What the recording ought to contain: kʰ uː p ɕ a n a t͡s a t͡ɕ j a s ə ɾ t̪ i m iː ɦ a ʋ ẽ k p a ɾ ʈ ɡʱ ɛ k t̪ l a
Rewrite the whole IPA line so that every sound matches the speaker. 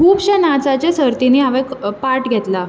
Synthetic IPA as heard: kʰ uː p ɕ a n a t͡s a t͡ɕ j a s ə ɾ t̪ i n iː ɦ a ʋ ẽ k p a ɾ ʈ ɡʱ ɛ t̪ l a